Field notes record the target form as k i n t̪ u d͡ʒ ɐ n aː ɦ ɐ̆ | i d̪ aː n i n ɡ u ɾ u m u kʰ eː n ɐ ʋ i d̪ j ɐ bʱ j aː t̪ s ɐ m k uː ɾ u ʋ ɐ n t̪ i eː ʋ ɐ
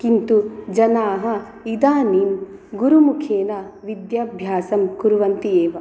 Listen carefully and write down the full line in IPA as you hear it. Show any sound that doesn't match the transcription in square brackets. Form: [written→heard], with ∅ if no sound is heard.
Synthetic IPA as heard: k i n t̪ u d͡ʒ ɐ n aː ɦ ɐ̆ | i d̪ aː n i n ɡ u ɾ u m u kʰ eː n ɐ ʋ i d̪ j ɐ bʱ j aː [t̪→∅] s ɐ m k [uː→u] ɾ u ʋ ɐ n t̪ i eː ʋ ɐ